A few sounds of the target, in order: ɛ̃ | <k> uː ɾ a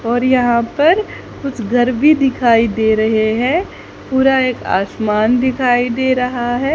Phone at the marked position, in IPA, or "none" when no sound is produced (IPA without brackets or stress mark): p